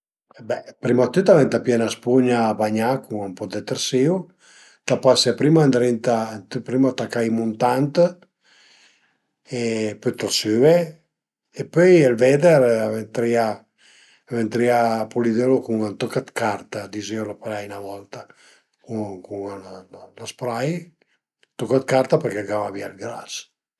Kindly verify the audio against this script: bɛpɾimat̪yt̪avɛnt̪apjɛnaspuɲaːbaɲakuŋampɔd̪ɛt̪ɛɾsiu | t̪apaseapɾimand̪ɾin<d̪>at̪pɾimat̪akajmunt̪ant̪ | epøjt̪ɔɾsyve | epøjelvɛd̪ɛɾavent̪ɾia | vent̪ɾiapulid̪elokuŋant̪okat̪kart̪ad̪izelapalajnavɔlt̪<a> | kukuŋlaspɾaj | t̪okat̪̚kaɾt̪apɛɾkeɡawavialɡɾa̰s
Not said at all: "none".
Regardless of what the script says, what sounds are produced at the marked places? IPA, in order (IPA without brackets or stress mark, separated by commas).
t̪, a